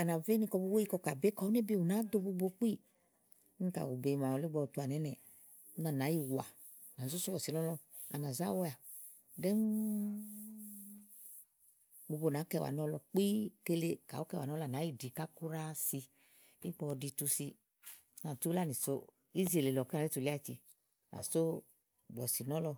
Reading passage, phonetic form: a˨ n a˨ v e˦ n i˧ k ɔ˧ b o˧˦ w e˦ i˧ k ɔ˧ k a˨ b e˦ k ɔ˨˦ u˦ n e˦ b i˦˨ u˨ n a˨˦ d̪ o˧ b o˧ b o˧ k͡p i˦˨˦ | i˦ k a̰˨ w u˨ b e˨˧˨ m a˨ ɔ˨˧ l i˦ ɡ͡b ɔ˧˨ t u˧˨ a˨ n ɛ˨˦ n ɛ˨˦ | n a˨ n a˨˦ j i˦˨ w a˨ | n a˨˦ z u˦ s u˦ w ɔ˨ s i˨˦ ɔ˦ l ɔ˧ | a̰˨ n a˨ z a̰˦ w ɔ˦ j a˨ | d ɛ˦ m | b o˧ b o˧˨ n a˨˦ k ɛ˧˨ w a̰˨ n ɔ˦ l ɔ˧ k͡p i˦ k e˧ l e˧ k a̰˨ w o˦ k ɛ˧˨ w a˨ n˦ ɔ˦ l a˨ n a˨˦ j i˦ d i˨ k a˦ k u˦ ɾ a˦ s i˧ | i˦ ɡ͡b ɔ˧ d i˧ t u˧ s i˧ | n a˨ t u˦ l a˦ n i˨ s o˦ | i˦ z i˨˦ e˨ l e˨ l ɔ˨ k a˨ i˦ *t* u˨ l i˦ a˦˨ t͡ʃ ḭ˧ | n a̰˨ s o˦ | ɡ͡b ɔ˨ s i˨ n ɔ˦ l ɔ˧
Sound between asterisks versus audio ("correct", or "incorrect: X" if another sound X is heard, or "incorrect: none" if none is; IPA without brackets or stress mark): correct